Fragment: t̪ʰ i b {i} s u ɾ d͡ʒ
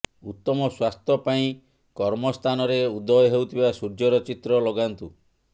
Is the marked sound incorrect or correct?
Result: incorrect